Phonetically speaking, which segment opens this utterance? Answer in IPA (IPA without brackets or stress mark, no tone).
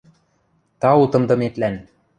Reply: t̪